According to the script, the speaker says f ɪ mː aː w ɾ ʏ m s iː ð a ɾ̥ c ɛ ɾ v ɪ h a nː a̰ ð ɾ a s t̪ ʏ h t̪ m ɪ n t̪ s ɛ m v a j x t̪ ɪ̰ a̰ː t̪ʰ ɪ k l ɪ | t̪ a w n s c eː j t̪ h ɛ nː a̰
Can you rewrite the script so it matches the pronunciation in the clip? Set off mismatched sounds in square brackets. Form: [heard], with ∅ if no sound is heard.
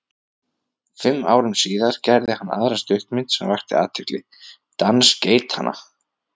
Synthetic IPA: f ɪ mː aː w ɾ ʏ m s iː ð a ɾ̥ c ɛ ɾ [ð] ɪ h a nː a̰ ð ɾ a s t̪ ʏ h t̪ m ɪ n t̪ s ɛ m v a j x t̪ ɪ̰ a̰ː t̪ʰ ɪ k l ɪ | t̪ a [∅] n s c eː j t̪ h [a] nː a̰